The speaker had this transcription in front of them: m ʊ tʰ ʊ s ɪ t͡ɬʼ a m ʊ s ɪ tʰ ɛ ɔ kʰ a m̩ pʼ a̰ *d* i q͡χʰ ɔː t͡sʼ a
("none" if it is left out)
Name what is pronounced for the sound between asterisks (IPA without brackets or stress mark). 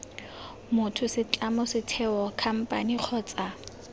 n